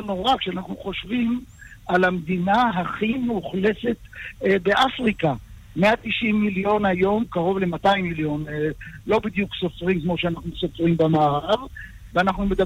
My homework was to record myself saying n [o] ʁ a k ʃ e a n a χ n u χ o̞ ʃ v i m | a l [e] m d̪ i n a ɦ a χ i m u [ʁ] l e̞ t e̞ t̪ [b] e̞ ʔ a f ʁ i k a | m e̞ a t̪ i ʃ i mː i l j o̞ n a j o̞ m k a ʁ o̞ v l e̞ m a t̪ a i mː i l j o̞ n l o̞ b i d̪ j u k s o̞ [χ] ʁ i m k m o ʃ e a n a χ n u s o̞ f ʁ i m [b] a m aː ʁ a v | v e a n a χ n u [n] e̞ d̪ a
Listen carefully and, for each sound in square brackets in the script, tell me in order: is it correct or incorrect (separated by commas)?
correct, incorrect, incorrect, correct, incorrect, correct, incorrect